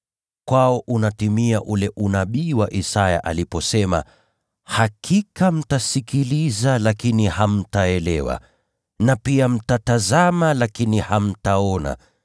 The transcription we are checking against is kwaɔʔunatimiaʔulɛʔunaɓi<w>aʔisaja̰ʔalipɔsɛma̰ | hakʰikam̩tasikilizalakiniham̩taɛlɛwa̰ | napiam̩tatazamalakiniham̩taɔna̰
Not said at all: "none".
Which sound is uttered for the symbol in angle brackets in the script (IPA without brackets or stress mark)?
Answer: w